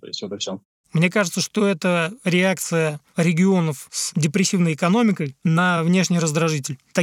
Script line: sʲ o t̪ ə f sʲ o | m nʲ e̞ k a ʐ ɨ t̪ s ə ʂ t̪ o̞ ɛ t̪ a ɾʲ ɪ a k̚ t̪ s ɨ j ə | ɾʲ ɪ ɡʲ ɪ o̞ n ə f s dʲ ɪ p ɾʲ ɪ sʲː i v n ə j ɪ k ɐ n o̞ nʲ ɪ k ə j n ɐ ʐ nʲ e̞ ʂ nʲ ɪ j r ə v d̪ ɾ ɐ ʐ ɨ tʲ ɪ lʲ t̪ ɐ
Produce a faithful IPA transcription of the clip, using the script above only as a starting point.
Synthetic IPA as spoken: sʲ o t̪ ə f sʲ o | m nʲ e̞ k a ʐ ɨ t̪ s ə ʂ t̪ o̞ ɛ t̪ ə ɾʲ ɪ a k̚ t̪ s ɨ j ə | ɾʲ ɪ ɡʲ ɪ o̞ n ə f s dʲ ɪ p ɾʲ ɪ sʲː i v n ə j ɪ k ɐ n o̞ mʲ ɪ k ə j n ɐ v nʲ e̞ ʂ nʲ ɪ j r ə z d̪ ɾ ɐ ʐ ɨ tʲ ɪ lʲ t̪ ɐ